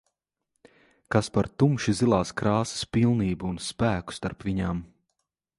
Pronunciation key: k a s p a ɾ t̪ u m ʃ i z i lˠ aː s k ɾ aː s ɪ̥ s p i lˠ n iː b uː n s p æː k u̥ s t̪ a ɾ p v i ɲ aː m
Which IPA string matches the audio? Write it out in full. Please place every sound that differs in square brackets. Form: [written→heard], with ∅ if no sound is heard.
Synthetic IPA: k a s p a ɾ t̪ u m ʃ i z i lˠ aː s k ɾ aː s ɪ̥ s p i lˠ n iː b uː n s p æː k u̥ s t̪ a ɾ p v i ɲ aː m